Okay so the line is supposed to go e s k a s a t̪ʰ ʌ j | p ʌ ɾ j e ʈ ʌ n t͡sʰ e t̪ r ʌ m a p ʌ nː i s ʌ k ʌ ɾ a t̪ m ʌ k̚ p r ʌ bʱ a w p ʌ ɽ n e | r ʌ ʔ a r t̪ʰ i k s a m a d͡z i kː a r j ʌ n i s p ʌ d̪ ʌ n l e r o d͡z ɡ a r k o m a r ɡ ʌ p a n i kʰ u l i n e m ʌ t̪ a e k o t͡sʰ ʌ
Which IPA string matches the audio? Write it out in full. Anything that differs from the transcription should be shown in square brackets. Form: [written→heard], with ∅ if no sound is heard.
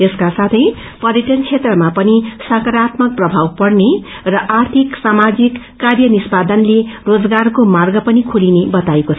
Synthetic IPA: e s k a s a t̪ʰ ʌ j | p ʌ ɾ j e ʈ ʌ n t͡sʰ e t̪ r ʌ m a p ʌ [nː→n] i s ʌ k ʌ ɾ a t̪ m ʌ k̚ p r ʌ bʱ a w p ʌ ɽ n e | r ʌ ʔ a r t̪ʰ i k s a m a d͡z i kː a r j ʌ n i s p [ʌ→a] d̪ ʌ n l e r o d͡z ɡ a r k o m a r ɡ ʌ p [a→ʌ] n i kʰ u l i n e [m→b] ʌ t̪ a e k o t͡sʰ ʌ